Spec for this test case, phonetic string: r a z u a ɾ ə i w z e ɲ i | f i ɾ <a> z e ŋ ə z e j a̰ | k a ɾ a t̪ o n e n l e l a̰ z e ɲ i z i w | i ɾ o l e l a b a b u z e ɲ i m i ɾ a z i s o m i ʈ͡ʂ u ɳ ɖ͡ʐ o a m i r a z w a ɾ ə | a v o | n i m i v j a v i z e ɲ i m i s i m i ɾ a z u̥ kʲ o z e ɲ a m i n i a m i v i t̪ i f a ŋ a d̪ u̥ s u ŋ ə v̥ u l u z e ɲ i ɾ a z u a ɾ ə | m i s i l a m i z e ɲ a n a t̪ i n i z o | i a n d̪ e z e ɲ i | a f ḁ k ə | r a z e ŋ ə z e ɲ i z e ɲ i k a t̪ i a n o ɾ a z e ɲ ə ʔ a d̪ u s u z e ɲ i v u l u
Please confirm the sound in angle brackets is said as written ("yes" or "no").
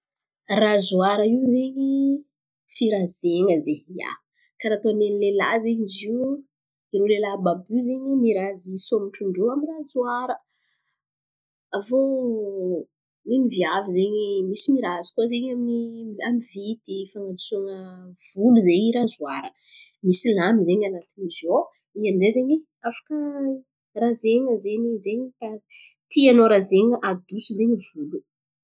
yes